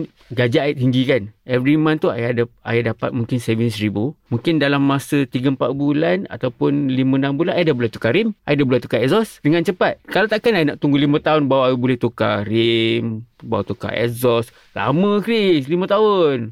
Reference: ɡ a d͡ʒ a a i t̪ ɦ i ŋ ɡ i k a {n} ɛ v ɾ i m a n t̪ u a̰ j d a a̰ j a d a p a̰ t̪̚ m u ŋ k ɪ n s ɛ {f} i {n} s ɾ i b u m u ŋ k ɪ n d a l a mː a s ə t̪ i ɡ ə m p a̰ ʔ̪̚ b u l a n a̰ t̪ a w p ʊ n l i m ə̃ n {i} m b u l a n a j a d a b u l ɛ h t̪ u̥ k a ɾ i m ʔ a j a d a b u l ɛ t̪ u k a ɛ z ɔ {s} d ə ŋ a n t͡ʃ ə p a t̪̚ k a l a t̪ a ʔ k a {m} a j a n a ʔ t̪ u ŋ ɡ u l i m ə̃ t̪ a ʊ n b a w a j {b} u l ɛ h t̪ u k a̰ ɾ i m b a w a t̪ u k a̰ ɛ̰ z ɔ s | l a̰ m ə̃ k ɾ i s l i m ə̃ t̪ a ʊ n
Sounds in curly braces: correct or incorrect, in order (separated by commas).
correct, incorrect, correct, incorrect, correct, incorrect, correct